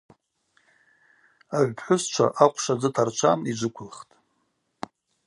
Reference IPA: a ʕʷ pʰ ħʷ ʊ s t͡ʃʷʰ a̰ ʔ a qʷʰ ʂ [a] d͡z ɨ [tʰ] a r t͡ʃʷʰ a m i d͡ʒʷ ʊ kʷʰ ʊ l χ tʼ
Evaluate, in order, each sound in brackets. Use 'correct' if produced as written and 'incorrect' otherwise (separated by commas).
correct, correct